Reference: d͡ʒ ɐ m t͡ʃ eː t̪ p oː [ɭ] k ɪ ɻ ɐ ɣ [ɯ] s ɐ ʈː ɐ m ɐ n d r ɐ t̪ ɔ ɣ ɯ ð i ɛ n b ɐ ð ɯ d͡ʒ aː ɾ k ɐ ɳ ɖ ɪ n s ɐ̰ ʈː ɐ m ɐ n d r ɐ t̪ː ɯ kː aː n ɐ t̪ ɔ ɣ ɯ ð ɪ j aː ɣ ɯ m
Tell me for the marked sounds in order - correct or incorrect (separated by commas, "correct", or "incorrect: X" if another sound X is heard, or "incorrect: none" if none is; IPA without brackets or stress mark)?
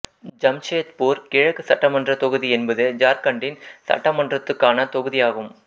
incorrect: ɾ, correct